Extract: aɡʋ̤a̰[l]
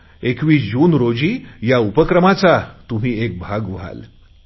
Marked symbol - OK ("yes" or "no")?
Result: yes